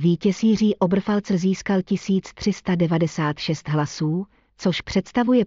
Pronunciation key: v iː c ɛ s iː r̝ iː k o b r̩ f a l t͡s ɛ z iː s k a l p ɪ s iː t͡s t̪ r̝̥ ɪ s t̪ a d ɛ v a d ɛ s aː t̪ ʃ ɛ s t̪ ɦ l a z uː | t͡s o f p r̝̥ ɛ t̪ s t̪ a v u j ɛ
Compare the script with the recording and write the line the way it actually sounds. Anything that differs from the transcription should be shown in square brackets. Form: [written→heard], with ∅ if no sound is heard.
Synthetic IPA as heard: v iː c ɛ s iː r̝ iː [k→ʔ] o b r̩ f a l t͡s ɛ z iː s k a l [p→c] ɪ s iː t͡s t̪ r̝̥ ɪ s t̪ a d ɛ v a d ɛ s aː t̪ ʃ ɛ s t̪ ɦ l a [z→s] uː | t͡s o [f→ʃ] p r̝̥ ɛ t̪ s t̪ a v u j ɛ